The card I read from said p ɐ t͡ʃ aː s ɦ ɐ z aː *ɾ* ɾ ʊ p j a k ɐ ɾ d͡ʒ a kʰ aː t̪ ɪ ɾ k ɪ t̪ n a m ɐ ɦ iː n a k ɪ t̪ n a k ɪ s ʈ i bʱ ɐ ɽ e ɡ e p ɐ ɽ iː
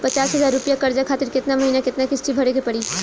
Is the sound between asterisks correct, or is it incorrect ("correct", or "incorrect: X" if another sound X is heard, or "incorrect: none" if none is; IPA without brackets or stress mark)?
correct